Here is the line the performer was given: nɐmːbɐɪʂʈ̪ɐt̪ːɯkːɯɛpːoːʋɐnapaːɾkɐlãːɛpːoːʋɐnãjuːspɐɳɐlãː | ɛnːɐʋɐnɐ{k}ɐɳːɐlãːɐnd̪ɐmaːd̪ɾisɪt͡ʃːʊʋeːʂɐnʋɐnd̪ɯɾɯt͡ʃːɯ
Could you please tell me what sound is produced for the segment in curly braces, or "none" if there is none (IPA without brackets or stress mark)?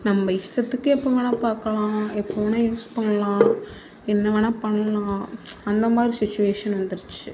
p